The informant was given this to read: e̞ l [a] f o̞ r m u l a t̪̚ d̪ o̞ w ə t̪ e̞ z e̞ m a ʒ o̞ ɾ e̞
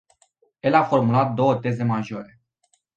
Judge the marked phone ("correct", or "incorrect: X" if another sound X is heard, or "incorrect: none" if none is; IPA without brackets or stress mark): correct